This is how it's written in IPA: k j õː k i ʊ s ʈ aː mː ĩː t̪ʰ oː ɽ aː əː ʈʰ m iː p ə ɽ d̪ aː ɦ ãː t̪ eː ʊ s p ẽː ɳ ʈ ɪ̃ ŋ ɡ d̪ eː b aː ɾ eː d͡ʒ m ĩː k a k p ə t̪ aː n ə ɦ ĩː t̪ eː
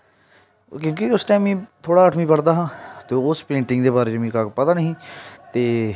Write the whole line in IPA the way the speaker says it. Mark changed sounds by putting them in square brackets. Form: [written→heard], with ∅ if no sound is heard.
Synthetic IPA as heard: k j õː k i ʊ s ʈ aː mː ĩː t̪ʰ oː ɽ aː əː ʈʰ m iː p ə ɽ d̪ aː ɦ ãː t̪ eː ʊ s p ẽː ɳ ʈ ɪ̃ ŋ ɡ d̪ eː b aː ɾ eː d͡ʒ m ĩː k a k p ə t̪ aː n ə ɦ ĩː t̪ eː